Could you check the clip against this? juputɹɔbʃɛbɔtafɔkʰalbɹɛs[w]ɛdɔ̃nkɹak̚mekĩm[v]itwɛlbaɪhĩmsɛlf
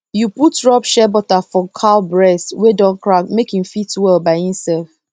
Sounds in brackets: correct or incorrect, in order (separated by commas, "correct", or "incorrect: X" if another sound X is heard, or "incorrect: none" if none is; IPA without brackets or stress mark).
correct, incorrect: f